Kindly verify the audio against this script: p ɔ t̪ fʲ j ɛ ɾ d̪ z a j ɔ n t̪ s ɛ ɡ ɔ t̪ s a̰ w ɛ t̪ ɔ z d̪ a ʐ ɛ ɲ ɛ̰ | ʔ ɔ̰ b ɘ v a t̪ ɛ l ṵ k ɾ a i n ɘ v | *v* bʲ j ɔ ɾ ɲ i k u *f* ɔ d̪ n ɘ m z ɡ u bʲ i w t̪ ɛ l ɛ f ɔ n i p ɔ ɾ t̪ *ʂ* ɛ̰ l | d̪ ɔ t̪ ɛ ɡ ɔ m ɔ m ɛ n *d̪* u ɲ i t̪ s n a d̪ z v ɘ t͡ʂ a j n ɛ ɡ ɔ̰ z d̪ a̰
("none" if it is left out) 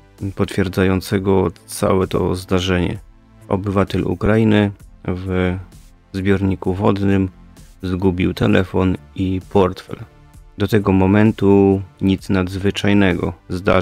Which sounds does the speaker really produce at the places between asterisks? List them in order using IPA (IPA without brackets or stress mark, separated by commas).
z, v, f, t̪